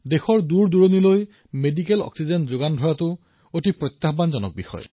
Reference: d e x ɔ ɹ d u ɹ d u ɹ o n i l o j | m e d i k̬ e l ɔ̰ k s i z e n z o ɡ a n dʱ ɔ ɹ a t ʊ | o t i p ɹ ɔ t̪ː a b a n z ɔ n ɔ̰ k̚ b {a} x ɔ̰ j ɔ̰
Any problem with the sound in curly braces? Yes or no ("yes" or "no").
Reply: yes